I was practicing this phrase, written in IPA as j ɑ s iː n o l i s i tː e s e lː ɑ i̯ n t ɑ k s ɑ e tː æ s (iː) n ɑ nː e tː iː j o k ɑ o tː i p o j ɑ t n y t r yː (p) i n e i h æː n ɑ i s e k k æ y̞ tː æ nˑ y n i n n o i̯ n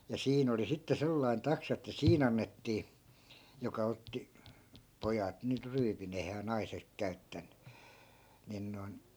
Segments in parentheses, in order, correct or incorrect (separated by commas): correct, correct